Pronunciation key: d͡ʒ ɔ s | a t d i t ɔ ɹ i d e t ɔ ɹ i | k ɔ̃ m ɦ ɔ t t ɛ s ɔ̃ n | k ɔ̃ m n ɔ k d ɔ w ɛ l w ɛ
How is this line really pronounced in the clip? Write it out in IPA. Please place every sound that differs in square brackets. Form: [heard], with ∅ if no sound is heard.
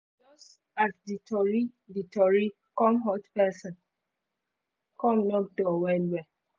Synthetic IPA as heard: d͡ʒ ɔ s | a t d i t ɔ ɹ i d [i] t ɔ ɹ i | k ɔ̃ m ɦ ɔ t [p] ɛ s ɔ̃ n | k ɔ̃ m n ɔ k d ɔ w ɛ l w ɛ